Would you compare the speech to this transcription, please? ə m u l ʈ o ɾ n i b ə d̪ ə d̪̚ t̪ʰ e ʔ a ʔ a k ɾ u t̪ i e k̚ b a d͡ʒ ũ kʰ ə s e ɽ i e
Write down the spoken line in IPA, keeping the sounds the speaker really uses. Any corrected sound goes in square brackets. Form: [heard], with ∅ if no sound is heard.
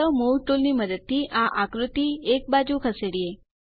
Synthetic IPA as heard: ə m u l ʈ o [l] n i [m] ə d̪ ə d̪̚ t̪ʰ [i] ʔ a ʔ a k ɾ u t̪ i e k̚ b a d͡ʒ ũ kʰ ə s e ɽ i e